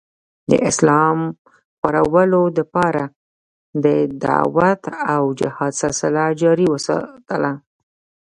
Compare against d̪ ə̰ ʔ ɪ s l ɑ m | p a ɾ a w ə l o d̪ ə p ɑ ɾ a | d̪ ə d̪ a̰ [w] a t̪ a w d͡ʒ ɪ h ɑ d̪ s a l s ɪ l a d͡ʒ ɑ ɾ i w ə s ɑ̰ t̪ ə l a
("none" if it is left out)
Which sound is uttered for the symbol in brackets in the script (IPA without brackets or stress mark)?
w